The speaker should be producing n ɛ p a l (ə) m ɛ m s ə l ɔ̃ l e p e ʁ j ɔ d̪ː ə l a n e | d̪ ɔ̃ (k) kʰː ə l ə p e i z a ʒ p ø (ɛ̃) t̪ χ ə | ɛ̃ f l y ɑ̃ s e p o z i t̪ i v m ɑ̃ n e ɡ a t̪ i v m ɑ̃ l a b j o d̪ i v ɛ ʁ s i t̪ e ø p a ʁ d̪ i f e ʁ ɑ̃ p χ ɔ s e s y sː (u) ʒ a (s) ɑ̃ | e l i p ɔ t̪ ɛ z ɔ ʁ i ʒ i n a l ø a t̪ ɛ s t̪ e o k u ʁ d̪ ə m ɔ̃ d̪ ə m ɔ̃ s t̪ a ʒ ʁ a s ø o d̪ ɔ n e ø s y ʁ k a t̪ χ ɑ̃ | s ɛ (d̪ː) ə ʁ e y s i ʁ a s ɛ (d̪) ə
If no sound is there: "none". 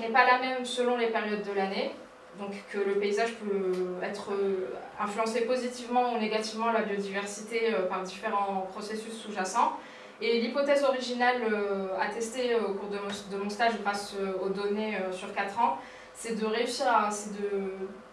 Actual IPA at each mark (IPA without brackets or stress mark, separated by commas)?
a, k, ɛ, u, s, d̪, d̪